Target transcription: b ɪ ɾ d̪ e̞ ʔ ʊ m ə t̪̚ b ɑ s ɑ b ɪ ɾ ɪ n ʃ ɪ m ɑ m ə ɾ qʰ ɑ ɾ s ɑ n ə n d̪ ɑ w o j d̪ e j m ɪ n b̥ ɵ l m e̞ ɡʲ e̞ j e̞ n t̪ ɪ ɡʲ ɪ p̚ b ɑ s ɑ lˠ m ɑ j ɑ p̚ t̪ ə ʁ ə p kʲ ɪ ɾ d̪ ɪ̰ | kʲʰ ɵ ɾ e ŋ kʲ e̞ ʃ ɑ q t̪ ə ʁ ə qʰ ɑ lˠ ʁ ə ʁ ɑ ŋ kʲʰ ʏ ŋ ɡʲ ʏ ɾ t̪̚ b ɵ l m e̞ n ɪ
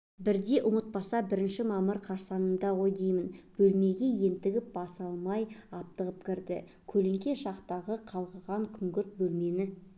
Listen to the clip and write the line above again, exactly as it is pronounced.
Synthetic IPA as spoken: b ɪ ɾ d̪ e̞ ʔ ʊ m ə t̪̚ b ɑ s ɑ b ɪ ɾ ɪ n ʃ ɪ m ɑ m ə ɾ qʰ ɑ ɾ s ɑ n ə n d̪ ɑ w o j d̪ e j m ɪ n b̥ ɵ l m e̞ ɡʲ e̞ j e̞ n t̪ ɪ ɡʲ ɪ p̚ b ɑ s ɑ lˠ m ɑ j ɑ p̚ t̪ ə ʁ ə p kʲ ɪ ɾ d̪ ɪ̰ | kʲʰ ɵ l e ŋ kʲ e̞ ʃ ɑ q t̪ ɑ ʁ ə qʰ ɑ lˠ ʁ ə ʁ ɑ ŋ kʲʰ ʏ ŋ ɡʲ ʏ ɾ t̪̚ b ɵ l m e̞ n ɪ